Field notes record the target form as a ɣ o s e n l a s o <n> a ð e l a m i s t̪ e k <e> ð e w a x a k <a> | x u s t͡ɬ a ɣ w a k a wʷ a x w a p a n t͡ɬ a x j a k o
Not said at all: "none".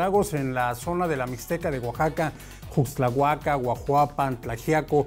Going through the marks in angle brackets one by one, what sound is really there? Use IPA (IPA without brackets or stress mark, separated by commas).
n, a, a